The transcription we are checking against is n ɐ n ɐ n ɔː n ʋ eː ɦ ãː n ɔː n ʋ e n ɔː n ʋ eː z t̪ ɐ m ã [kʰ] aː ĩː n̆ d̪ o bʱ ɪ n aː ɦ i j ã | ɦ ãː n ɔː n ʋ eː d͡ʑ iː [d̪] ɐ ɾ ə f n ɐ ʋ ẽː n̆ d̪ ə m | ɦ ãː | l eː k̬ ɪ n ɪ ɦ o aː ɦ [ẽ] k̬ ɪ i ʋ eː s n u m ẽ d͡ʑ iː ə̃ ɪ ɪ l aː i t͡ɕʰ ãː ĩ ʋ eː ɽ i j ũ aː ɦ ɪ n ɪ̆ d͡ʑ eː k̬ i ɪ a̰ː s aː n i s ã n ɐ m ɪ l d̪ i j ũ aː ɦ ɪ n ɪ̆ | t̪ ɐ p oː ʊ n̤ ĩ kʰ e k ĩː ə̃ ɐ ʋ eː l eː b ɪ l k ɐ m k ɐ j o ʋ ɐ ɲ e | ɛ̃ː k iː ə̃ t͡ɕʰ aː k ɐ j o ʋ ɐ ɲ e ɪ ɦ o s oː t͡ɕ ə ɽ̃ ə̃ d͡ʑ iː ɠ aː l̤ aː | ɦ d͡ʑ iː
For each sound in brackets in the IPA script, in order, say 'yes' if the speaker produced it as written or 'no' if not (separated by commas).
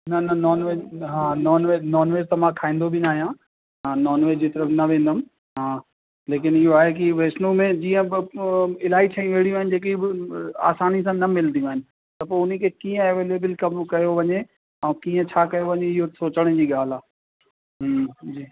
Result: yes, no, no